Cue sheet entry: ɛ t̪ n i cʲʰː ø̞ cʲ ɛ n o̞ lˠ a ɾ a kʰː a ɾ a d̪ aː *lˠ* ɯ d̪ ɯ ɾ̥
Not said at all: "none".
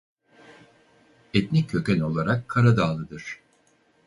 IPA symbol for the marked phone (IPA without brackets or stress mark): lˠ